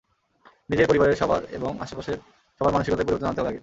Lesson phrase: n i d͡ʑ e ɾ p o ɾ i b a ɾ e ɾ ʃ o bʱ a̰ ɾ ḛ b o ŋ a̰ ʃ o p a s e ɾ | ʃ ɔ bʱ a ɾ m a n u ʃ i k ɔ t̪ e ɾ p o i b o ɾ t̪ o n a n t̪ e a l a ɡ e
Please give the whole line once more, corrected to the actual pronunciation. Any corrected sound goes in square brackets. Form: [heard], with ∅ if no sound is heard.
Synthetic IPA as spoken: n i d͡ʑ e ɾ p o ɾ i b a ɾ e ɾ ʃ [ɔ] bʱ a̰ ɾ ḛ b o ŋ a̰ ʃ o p a [ʃ] e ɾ | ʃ ɔ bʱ a ɾ m a n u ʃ i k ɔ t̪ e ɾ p o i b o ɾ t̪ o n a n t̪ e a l a ɡ e